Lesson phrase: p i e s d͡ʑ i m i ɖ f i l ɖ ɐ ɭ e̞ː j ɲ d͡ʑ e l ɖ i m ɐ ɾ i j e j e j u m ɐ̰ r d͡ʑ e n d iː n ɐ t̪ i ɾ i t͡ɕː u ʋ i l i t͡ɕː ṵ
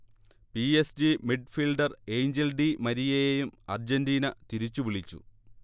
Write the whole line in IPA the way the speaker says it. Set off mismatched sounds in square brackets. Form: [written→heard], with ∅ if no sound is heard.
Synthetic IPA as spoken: p i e s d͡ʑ i m i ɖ f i l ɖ ɐ [ɭ→r] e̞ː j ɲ d͡ʑ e l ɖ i m ɐ ɾ i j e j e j u m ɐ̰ r d͡ʑ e n d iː n ɐ t̪ i ɾ i t͡ɕː u ʋ i [l→ɭ] i t͡ɕː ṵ